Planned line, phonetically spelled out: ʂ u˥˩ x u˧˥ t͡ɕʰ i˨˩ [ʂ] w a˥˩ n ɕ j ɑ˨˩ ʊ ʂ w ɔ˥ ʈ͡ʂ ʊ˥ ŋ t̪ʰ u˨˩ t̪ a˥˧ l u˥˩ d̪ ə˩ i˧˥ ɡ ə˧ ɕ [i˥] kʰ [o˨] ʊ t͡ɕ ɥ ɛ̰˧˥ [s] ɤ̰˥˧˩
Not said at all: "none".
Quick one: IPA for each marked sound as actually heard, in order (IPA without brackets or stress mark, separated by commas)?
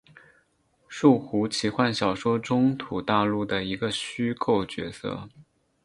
x, y˥, o˥˩, s